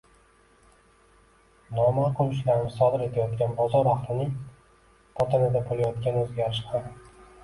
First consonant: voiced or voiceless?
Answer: voiced